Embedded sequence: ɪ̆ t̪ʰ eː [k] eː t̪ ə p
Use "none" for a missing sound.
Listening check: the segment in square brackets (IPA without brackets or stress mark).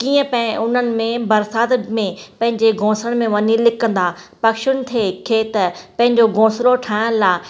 kʰ